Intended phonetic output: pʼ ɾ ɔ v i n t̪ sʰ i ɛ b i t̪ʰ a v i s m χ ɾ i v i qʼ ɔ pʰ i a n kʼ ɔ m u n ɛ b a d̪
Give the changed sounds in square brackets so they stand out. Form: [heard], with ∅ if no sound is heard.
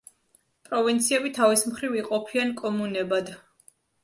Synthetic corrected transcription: pʼ ɾ ɔ v i n t̪ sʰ i ɛ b i t̪ʰ a v i s m χ ɾ i v i qʼ ɔ pʰ i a n kʼ ɔ m u n ɛ b a d̪